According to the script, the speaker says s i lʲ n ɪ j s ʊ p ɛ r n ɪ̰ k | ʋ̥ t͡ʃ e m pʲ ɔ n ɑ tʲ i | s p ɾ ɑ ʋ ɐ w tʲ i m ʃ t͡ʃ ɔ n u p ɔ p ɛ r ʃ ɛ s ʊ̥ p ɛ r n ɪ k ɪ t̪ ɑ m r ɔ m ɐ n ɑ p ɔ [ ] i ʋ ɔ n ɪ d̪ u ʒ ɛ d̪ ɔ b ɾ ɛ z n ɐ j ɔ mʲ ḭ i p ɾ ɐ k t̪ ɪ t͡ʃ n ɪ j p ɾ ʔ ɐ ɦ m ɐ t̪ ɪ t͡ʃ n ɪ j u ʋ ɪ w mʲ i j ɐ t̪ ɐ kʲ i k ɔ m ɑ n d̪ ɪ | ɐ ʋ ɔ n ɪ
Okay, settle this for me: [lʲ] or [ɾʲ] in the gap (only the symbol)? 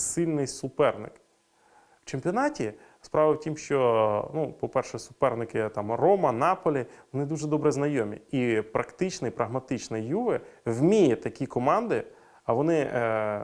lʲ